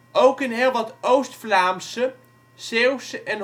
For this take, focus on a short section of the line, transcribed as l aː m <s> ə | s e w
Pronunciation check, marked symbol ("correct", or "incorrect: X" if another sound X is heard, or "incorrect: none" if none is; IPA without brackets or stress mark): correct